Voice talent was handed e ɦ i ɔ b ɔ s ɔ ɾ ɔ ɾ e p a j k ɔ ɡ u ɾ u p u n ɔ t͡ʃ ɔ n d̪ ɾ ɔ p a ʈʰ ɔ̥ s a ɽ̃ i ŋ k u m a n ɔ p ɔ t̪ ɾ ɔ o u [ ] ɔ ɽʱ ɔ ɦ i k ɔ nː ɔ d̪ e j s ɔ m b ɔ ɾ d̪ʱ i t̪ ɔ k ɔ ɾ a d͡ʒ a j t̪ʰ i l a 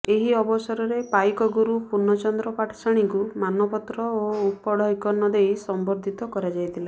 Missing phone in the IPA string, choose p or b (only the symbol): p